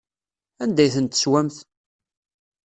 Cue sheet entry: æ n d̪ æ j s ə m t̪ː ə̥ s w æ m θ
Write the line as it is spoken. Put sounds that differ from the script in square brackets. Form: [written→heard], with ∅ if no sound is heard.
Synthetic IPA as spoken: æ n d̪ æ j [s→θ] ə [m→n] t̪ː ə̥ s w æ m θ